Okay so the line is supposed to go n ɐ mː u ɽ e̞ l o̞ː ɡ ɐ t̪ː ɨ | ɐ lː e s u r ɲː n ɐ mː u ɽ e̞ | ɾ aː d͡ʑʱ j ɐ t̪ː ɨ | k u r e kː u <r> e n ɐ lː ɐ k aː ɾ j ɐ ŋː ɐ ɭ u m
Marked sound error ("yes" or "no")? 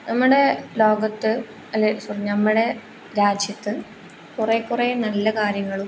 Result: no